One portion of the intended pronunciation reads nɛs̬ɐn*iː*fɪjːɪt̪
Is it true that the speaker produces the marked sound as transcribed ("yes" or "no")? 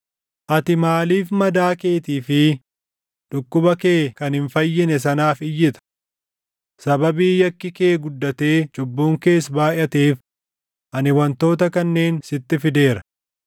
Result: no